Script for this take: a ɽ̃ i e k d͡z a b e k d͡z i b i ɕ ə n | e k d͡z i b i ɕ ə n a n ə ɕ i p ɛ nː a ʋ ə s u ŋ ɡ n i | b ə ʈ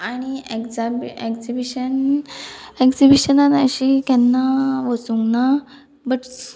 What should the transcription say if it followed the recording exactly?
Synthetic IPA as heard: a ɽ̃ i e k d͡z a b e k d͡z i b i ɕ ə n | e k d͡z i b i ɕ ə n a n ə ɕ i k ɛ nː a ʋ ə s u ŋ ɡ n a | b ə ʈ